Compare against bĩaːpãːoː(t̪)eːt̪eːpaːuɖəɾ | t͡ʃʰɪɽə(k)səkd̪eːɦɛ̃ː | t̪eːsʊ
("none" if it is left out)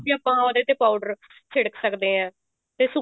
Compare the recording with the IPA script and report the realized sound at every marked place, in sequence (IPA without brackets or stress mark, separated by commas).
d̪, k